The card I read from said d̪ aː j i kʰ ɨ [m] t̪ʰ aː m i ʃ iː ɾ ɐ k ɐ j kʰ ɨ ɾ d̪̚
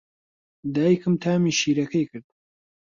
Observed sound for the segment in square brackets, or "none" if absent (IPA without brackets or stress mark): m